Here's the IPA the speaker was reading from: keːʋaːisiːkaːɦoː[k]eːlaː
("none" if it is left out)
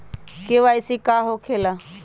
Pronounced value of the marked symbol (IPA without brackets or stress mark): kʰ